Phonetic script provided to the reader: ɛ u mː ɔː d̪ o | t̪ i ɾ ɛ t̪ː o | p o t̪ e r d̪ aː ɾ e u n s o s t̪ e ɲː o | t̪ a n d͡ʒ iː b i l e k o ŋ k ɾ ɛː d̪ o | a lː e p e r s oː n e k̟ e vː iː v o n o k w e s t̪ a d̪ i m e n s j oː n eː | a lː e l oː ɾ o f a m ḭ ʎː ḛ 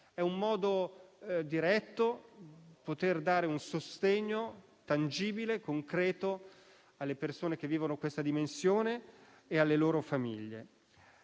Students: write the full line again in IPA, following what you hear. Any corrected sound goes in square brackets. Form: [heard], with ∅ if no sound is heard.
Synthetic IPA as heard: ɛ u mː ɔː d̪ o | [d̪] i ɾ ɛ t̪ː o | p o t̪ e r d̪ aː ɾ e u n s o s t̪ e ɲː o | t̪ a n d͡ʒ iː b i l e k o ŋ k ɾ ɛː [t̪] o | a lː e p e r s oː n e k̟ e vː iː v o n o k w e s t̪ a d̪ i m e n s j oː n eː | a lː e l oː ɾ o f a m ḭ ʎː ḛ